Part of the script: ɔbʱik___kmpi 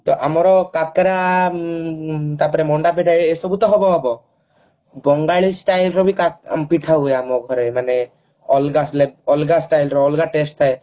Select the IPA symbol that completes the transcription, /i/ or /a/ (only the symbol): a